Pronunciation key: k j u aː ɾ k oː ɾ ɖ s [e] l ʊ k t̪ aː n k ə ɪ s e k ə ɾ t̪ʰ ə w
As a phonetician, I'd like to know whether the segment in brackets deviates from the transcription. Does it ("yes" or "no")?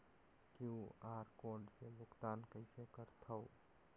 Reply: no